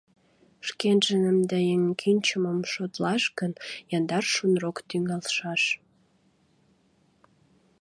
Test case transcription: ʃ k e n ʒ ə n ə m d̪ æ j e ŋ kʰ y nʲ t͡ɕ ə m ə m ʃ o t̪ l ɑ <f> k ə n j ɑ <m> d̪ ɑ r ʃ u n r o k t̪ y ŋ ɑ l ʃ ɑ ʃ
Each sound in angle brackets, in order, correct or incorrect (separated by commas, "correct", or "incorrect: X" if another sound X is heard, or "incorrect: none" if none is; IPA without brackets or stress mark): incorrect: ʃ, incorrect: n